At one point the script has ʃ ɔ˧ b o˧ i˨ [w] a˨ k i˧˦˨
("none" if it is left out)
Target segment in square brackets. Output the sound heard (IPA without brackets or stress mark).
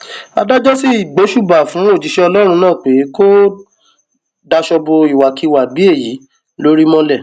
w